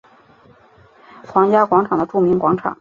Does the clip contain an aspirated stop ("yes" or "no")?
yes